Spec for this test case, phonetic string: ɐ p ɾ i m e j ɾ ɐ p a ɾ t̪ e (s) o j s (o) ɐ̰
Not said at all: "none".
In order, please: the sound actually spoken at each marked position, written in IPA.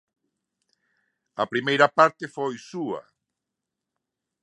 f, u

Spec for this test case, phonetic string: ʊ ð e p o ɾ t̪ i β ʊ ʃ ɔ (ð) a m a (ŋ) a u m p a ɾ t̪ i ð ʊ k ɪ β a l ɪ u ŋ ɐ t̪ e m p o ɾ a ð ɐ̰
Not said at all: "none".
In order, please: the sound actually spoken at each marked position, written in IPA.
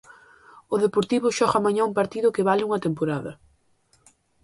ɣ, ɲ

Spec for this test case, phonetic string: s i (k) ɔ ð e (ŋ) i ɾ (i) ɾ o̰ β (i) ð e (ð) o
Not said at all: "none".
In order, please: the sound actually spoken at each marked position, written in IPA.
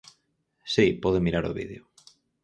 p, m, a, i, none

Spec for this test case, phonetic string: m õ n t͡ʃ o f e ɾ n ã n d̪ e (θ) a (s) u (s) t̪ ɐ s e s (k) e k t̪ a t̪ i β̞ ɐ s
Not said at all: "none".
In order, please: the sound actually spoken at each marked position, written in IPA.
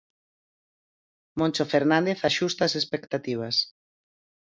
θ, ʃ, s, p

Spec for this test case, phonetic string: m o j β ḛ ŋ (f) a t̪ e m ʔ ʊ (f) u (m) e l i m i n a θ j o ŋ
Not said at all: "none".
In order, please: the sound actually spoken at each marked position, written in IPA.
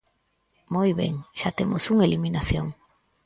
ʃ, s, ŋ

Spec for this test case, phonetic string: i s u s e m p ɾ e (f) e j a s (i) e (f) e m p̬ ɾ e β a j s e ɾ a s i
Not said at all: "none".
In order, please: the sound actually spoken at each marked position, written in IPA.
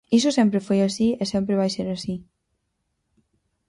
f, i, s

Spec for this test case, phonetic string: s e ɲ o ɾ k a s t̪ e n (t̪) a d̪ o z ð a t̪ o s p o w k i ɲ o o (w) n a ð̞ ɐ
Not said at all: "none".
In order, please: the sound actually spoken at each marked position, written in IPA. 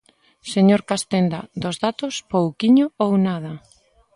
d̪, w

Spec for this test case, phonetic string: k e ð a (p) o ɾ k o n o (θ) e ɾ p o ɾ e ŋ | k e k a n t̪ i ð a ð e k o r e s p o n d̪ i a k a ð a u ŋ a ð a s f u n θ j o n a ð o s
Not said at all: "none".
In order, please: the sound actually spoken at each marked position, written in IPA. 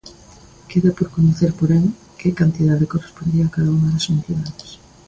p, θ

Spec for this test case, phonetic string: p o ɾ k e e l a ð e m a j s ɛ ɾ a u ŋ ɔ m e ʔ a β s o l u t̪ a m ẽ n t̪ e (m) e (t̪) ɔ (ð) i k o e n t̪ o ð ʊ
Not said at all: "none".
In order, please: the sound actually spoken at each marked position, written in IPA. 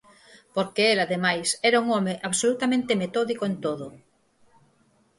m, t̪, ð

